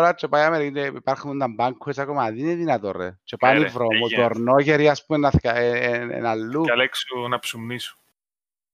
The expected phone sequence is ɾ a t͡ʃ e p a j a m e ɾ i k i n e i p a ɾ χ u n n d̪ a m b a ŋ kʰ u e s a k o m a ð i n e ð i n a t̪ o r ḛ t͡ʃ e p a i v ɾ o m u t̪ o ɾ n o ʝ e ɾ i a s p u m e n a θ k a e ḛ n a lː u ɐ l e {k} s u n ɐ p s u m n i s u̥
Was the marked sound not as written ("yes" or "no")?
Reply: no